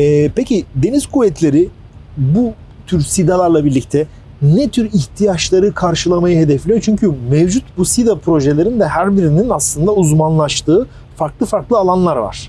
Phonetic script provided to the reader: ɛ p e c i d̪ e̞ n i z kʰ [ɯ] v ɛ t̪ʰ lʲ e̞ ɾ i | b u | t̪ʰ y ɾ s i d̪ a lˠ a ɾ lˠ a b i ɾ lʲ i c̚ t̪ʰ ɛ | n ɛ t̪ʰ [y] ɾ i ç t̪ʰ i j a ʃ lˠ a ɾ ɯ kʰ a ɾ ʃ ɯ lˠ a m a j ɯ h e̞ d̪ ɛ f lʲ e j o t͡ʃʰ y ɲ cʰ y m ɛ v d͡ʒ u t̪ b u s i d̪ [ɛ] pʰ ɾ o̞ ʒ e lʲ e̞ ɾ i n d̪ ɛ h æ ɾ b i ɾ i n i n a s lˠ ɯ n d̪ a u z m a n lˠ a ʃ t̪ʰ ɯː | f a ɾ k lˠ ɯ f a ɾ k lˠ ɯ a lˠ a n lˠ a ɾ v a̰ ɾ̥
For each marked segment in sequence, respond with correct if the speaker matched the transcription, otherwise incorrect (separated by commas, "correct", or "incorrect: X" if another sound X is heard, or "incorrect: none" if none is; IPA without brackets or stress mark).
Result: incorrect: u, correct, incorrect: a